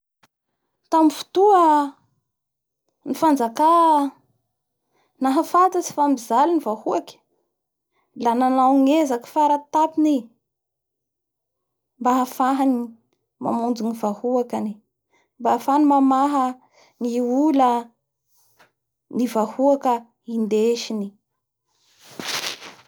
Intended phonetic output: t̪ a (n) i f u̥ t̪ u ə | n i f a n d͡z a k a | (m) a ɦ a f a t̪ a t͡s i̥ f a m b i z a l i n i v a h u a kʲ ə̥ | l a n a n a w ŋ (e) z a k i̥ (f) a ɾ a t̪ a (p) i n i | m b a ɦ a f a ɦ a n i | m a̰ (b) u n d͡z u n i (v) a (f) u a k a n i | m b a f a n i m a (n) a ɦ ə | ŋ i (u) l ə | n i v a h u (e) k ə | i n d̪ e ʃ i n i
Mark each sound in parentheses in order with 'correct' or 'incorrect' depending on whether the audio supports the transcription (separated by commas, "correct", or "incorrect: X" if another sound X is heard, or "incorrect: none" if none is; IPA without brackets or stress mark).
incorrect: m, incorrect: n, correct, correct, correct, incorrect: m, correct, incorrect: h, incorrect: m, correct, incorrect: a